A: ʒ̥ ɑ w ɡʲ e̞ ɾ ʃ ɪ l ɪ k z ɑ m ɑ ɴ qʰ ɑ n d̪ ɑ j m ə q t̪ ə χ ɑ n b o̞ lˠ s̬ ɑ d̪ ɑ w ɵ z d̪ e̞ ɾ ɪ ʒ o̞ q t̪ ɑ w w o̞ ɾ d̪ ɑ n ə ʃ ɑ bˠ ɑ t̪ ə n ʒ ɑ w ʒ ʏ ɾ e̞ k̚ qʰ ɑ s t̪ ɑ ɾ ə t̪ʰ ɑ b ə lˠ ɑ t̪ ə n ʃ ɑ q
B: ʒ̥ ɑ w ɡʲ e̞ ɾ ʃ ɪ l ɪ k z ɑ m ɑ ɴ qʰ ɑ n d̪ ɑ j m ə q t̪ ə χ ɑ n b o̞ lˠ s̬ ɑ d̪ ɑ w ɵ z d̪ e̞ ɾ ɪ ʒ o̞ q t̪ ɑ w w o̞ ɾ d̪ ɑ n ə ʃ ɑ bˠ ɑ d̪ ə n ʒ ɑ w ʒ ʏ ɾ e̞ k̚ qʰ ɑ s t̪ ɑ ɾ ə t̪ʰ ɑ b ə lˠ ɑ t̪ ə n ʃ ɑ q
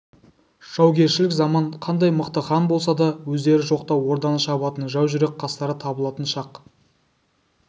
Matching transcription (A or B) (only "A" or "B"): A